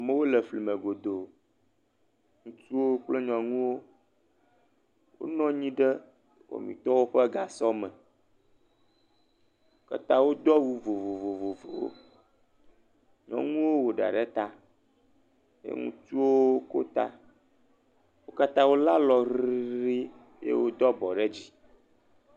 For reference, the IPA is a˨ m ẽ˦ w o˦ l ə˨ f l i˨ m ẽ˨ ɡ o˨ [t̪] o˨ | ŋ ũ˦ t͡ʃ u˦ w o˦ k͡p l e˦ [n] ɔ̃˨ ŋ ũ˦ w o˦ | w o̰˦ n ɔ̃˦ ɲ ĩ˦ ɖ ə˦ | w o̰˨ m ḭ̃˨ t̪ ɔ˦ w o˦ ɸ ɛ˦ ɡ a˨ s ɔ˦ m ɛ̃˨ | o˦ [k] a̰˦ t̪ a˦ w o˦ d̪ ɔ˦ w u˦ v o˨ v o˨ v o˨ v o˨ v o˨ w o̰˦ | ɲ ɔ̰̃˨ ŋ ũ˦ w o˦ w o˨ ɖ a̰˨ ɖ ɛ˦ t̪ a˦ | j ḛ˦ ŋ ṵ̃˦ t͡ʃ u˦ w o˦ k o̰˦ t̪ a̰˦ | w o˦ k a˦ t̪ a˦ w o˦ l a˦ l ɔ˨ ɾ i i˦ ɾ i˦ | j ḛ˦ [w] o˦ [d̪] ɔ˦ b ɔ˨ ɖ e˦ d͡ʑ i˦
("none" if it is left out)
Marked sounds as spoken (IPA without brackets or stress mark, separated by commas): d̪, ɲ, k, w, d̪